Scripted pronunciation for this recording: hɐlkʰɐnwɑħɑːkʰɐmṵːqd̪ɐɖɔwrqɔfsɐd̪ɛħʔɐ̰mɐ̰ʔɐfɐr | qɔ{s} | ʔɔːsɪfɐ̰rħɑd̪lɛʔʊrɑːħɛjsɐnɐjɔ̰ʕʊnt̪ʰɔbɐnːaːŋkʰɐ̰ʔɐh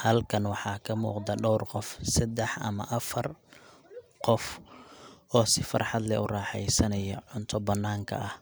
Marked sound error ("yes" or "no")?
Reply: yes